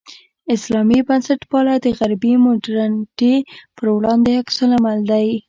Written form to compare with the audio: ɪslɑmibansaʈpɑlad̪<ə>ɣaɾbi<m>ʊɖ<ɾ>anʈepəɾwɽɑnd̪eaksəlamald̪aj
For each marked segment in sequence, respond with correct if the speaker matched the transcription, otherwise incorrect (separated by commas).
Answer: correct, correct, correct